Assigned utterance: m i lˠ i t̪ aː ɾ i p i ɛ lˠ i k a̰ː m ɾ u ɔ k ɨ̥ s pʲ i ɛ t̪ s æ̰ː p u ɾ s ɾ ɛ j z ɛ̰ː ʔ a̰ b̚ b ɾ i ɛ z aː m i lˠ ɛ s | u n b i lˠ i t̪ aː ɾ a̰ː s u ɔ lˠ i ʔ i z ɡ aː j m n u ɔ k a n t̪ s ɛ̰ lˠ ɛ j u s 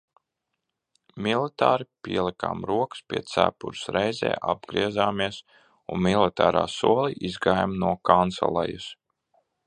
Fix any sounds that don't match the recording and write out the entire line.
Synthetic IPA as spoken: m i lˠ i t̪ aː ɾ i p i ɛ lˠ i k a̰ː m ɾ u ɔ k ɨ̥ s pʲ i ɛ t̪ s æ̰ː p u ɾ s ɾ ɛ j z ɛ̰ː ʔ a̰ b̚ ɡ ɾ i ɛ z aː m i ɛ s | u n m i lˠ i t̪ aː ɾ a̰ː s u ɔ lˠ i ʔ i z ɡ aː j m n u ɔ k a n t̪ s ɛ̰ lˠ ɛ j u s